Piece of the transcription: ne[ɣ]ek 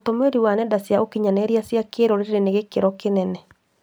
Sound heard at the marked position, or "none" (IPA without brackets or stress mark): ɣ